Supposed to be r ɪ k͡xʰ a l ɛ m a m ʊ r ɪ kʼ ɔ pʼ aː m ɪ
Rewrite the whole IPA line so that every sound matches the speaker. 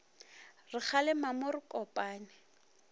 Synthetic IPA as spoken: r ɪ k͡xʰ a l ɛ m a m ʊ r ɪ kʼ ɔ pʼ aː n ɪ